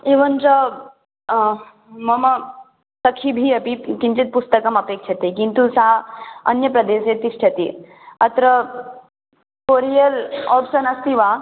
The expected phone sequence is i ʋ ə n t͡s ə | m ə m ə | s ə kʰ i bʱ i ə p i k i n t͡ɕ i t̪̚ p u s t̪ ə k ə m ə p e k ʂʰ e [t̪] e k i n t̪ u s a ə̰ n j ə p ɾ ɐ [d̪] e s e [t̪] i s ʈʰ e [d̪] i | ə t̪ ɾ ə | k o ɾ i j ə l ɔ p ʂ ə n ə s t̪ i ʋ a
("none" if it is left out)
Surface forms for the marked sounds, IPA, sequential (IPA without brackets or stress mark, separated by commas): t̪, d̪, t̪, t̪